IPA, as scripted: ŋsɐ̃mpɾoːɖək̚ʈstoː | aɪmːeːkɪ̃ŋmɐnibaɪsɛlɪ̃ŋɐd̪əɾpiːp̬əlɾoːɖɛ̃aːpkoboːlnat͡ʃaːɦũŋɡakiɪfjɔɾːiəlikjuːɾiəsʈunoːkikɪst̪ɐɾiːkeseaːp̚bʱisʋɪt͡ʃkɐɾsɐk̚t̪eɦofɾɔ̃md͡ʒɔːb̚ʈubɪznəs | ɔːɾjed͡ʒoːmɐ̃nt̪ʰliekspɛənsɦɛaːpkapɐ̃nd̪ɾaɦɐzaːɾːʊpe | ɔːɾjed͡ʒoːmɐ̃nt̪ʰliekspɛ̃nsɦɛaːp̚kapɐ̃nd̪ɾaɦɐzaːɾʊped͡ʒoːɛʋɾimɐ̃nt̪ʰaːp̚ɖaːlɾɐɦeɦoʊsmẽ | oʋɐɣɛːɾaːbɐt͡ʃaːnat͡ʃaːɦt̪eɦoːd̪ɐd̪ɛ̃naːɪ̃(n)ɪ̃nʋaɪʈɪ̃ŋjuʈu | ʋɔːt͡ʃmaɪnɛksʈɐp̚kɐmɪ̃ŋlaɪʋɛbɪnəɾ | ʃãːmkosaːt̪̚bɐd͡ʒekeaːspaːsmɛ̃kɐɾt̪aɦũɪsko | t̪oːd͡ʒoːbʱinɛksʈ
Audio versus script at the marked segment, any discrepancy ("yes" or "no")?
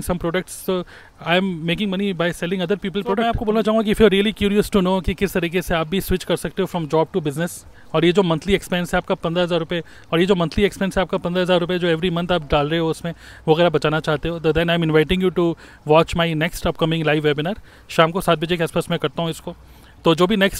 yes